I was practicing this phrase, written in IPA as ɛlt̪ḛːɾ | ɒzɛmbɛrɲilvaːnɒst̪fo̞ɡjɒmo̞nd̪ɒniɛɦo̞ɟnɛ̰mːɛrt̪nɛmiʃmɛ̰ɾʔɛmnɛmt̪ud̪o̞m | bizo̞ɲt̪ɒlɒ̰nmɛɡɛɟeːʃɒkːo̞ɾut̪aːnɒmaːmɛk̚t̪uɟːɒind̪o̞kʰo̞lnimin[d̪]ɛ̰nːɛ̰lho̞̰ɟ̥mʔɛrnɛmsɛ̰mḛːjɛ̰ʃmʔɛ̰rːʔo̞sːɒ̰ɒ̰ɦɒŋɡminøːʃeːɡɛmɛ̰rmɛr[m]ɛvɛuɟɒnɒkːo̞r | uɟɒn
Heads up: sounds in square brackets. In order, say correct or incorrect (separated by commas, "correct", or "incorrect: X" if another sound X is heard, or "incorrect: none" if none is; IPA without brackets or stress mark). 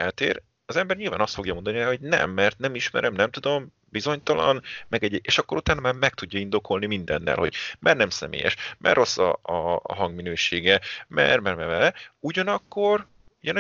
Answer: correct, correct